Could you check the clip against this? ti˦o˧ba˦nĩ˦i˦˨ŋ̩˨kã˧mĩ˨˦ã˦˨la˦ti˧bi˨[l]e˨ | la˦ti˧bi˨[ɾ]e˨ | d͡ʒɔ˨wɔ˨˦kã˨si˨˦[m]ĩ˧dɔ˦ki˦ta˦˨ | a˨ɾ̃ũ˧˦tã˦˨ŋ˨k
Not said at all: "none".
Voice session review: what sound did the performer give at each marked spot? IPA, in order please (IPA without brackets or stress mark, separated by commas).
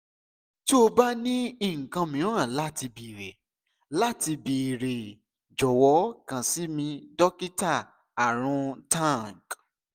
ɾ, ɾ, m